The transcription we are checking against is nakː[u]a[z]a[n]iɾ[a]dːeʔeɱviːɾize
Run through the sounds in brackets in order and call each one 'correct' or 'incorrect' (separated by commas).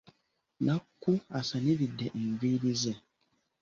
correct, incorrect, correct, incorrect